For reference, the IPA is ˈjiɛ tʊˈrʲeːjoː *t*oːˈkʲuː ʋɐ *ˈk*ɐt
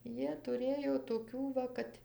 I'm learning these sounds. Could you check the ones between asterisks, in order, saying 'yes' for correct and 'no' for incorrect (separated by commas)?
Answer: yes, yes